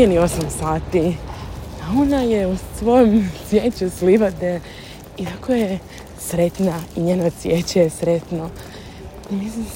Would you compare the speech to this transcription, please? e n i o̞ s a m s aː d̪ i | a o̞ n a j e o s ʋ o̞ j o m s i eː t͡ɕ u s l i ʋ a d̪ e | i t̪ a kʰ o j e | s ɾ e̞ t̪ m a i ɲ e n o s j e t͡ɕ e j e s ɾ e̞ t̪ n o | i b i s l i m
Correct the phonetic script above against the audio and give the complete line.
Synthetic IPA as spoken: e n i o̞ s a m s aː t̪ i | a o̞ n a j e u s ʋ o̞ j o m s j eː t͡ɕ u s l i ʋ a d̪ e | i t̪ a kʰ o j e | s ɾ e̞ t̪ n a i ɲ e n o s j e t͡ɕ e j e s ɾ e̞ t̪ n o | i m i s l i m